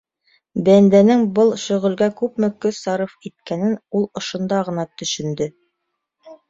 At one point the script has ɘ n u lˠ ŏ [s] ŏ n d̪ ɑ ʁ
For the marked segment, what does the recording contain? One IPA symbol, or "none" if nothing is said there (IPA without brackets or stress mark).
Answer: ʃ